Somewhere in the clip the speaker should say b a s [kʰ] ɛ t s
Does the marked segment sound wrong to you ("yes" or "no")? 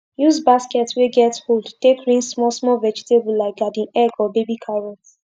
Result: yes